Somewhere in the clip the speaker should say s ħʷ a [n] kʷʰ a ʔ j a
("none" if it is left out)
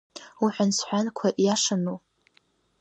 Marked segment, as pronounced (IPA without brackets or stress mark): n